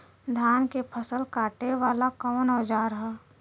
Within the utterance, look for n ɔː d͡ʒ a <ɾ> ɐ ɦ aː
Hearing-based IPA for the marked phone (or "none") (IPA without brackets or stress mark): ɾ